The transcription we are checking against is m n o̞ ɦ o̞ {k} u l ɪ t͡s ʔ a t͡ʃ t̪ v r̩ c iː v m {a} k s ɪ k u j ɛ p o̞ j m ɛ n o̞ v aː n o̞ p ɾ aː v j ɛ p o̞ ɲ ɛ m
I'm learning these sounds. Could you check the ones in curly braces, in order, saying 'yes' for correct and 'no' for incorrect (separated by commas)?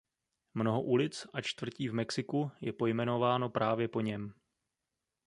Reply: no, no